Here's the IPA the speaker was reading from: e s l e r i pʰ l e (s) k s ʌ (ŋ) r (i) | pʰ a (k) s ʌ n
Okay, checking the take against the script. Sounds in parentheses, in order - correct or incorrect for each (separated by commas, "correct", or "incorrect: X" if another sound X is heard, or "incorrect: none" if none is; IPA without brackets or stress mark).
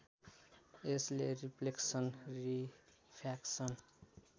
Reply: incorrect: none, incorrect: n, correct, correct